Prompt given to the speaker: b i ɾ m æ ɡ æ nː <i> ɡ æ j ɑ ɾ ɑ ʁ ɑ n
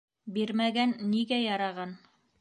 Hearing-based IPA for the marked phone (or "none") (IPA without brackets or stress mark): i